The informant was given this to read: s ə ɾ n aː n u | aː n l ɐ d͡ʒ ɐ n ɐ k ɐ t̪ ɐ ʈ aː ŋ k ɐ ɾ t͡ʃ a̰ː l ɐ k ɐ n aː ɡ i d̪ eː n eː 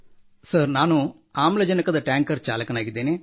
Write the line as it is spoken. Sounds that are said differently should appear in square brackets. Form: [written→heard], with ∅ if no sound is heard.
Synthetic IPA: s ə ɾ n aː n u | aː [n→m] l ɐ d͡ʒ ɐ n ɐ k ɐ [t̪→d̪] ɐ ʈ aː ŋ k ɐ ɾ t͡ʃ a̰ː l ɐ k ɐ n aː ɡ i d̪ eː n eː